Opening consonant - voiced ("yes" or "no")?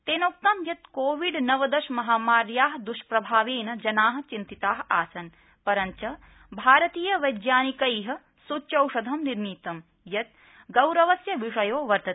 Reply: no